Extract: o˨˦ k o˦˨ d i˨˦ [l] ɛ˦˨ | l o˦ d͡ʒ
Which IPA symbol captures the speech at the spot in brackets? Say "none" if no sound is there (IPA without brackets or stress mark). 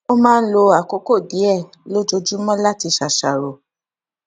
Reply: none